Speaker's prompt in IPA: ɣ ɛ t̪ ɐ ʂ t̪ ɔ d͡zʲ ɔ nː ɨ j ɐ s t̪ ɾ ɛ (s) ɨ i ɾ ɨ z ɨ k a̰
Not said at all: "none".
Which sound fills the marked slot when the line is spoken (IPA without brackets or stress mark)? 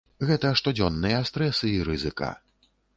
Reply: s